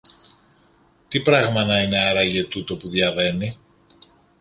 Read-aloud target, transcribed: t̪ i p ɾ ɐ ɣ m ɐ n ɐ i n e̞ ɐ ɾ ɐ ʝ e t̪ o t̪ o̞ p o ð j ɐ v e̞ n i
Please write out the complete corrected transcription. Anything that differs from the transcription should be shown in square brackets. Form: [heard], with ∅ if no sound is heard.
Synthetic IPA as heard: t̪ i p ɾ ɐ ɣ m ɐ n ɐ i n e̞ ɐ ɾ ɐ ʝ e t̪ [u] t̪ o̞ p [u] ð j ɐ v e̞ n i